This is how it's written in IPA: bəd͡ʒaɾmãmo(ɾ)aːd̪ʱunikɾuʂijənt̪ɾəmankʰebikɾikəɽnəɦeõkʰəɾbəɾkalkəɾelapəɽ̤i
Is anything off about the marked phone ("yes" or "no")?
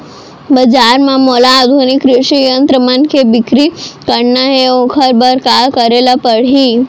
yes